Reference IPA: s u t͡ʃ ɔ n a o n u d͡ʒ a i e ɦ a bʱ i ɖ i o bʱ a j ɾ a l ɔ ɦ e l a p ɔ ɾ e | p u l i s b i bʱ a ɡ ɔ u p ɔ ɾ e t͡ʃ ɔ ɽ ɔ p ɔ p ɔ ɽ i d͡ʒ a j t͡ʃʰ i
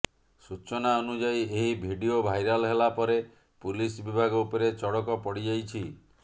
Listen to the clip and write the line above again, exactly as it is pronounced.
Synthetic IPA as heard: s u t͡ʃ ɔ n a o n u d͡ʒ a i e ɦ i bʱ i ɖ i o bʱ a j ɾ a l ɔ ɦ e l a p ɔ ɾ e | p u l i s b i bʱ a ɡ ɔ u p ɔ ɾ e t͡ʃ ɔ ɽ ɔ k ɔ p ɔ ɽ i d͡ʒ a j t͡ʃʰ i